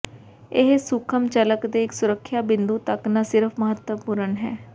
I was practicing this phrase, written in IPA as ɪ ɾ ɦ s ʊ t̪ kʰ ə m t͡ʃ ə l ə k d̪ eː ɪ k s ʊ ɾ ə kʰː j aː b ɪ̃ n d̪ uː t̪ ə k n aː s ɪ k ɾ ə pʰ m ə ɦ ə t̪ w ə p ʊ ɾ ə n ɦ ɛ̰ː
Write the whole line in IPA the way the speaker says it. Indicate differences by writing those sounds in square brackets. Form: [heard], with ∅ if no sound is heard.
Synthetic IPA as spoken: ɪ [∅] ɦ s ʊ [∅] kʰ ə m t͡ʃ ə l ə k d̪ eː ɪ k s ʊ ɾ ə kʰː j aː b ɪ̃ n d̪ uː t̪ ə k n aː s ɪ [∅] ɾ ə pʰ m ə ɦ ə t̪ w ə p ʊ ɾ ə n ɦ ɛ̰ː